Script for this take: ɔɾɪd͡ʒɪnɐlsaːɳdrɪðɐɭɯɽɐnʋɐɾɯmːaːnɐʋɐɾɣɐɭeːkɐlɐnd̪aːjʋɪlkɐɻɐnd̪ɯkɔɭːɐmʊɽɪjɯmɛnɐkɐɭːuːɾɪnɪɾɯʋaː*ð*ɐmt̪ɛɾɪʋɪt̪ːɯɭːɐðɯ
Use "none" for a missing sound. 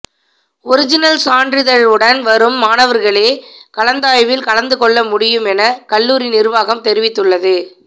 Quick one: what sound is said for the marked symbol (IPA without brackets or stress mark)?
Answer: ɣ